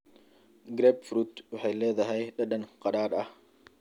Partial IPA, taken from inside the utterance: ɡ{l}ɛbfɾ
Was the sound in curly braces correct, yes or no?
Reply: no